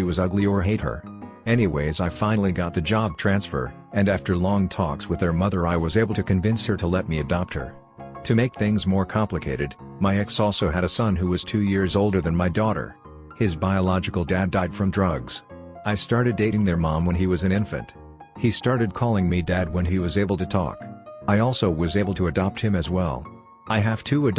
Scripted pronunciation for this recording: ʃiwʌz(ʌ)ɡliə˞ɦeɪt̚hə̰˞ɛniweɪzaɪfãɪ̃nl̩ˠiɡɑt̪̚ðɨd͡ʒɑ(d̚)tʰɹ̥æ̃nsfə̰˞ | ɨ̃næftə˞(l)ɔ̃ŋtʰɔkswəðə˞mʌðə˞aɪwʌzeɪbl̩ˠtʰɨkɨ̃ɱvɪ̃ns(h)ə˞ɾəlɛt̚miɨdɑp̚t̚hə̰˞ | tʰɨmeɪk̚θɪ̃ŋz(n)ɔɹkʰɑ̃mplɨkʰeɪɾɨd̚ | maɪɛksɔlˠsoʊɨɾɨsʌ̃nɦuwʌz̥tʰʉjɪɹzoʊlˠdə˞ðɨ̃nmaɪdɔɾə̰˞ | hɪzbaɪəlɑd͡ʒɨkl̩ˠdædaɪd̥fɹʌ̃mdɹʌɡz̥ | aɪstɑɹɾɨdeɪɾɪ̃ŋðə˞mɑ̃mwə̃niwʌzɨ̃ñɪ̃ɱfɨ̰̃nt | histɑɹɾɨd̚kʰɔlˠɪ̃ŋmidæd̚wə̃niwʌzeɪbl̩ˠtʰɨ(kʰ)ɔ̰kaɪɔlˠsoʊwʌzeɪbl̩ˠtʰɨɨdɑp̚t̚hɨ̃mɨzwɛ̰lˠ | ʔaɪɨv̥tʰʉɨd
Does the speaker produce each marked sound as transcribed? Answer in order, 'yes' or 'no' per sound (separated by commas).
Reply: yes, no, yes, yes, no, no